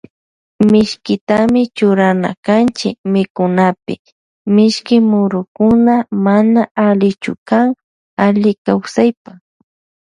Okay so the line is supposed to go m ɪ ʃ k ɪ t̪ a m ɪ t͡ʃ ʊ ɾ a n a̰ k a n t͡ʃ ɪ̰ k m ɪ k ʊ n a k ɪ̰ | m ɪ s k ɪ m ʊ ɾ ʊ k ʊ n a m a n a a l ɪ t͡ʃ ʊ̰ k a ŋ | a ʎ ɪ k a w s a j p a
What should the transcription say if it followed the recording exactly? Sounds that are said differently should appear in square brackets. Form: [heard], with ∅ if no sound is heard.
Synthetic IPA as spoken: m ɪ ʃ k ɪ t̪ a m ɪ t͡ʃ ʊ ɾ a n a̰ k a n t͡ʃ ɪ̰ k m ɪ k ʊ n a [p] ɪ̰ | m ɪ [ʃ] k ɪ m ʊ ɾ ʊ k ʊ n a m a n a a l ɪ t͡ʃ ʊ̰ k a ŋ | a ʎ ɪ k a w s a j p a